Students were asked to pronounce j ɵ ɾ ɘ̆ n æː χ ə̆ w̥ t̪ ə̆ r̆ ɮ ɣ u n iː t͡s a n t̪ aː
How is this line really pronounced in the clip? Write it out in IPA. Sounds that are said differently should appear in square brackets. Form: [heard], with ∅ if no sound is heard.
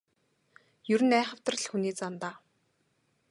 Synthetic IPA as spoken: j ɵ ɾ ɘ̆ n æː χ ə̆ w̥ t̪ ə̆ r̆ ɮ [x] u n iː t͡s a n t̪ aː